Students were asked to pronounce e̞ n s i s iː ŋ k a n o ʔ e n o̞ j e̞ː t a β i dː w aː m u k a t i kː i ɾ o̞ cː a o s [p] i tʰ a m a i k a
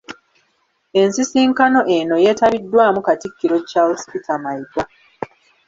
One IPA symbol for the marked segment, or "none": p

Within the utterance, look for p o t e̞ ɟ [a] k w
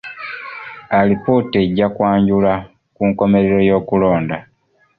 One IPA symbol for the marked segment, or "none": a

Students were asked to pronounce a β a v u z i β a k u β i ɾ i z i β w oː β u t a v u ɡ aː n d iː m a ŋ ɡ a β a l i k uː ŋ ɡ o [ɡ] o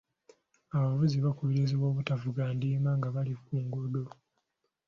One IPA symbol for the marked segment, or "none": d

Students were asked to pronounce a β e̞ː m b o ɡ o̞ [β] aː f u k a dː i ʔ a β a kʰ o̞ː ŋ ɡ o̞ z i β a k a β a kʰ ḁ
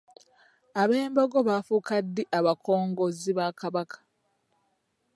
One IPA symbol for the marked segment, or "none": β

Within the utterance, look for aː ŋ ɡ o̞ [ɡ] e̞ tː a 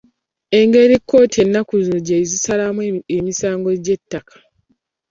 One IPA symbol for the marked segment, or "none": ɟ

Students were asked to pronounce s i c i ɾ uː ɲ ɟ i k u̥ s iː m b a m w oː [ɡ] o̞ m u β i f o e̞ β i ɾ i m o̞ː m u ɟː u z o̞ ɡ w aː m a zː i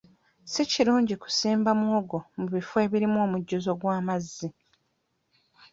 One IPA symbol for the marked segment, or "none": ɡ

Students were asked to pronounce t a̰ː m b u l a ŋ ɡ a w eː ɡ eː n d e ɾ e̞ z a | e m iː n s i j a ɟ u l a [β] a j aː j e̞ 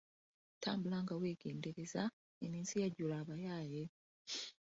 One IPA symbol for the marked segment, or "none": β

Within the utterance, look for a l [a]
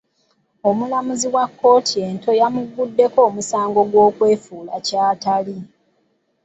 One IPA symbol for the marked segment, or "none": i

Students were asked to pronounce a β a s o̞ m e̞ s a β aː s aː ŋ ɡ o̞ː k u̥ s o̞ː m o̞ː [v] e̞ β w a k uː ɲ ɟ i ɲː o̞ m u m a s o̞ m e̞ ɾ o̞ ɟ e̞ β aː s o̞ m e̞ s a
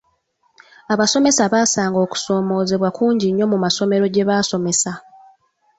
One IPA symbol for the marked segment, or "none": z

